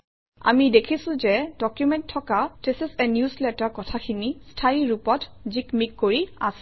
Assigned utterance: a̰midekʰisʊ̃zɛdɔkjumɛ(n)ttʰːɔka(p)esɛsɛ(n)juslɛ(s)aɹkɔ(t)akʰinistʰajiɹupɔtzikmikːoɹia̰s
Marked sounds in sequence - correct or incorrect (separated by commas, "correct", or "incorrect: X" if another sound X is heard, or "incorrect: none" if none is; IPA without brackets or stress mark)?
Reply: correct, incorrect: t, correct, incorrect: t, incorrect: tʰ